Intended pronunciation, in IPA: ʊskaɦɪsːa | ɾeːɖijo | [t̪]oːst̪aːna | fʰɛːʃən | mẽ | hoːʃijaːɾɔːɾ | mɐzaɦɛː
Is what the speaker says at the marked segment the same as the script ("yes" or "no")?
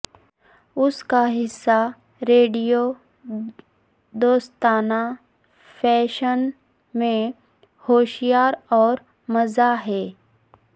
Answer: no